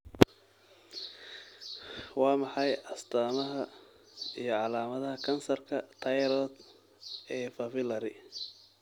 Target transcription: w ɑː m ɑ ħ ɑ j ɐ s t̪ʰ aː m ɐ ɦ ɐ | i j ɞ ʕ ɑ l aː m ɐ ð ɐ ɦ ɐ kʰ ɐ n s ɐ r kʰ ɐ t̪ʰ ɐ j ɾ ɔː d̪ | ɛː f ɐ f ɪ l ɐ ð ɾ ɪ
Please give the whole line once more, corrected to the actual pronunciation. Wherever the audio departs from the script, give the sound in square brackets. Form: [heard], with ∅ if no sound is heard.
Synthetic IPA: w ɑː m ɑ ħ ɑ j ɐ s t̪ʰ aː m ɐ ɦ ɐ | i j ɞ ʕ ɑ l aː m ɐ ð ɐ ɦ ɐ kʰ ɐ n s ɐ r kʰ ɐ t̪ʰ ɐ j ɾ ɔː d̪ | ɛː f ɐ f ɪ l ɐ [∅] ɾ ɪ